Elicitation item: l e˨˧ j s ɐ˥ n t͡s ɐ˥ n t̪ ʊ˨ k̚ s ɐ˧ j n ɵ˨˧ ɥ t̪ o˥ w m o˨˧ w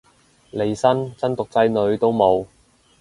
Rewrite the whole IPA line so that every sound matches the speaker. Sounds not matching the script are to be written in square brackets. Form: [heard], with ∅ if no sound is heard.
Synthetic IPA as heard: l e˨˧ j s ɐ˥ n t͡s ɐ˥ n t̪ ʊ˨ k̚ [t͡s] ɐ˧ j n ɵ˨˧ ɥ t̪ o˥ w m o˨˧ w